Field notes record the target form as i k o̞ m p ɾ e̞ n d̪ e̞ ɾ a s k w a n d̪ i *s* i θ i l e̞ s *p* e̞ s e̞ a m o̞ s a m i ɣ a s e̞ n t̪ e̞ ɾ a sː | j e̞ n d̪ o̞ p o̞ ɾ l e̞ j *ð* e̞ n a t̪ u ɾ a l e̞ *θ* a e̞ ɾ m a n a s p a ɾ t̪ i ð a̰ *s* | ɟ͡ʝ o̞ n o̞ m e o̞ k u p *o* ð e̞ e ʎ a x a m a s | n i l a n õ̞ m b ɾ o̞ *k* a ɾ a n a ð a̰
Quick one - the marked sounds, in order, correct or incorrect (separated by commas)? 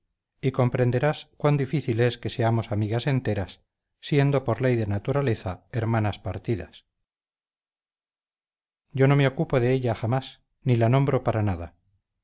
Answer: incorrect, incorrect, correct, correct, correct, correct, incorrect